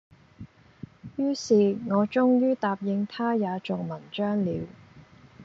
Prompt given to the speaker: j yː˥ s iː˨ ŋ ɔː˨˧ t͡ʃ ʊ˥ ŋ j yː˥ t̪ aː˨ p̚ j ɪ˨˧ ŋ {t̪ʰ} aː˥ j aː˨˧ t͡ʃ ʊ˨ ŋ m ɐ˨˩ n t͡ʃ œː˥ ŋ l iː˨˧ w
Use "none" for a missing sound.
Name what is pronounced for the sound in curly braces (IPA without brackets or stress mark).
t̪ʰ